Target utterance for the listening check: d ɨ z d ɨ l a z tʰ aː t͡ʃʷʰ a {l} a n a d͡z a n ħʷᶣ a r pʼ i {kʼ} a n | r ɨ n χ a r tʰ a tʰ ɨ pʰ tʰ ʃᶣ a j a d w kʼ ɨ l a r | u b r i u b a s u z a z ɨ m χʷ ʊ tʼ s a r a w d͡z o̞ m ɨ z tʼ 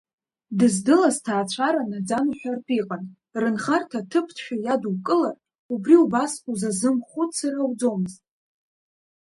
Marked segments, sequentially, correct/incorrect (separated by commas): incorrect, incorrect